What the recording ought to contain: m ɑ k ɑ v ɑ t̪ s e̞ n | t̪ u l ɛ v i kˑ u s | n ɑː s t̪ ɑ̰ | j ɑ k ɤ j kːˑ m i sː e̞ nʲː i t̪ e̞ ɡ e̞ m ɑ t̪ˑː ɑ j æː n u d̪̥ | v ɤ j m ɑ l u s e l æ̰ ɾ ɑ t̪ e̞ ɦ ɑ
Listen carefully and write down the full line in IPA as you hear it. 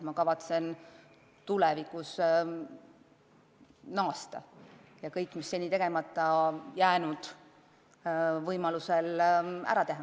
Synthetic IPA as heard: m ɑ k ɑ v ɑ t̪ s e̞ n | t̪ u l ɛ v i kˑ u s | n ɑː s t̪ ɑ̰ | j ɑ k ɤ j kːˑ m i sː e̞ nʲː i t̪ e̞ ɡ e̞ m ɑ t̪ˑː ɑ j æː n u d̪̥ | v ɤ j m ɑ l u s e l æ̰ ɾ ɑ t̪ e̞ ɦ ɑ